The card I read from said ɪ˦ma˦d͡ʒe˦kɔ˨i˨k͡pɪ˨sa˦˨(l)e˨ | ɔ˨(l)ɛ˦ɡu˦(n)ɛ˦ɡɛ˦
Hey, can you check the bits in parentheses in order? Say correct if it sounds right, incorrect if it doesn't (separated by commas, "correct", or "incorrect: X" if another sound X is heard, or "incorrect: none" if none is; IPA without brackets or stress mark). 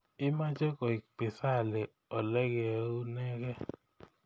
correct, correct, correct